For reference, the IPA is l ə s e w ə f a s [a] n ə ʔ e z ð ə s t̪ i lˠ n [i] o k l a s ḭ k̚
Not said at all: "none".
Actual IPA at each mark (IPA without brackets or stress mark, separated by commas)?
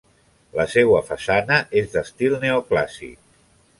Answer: a, e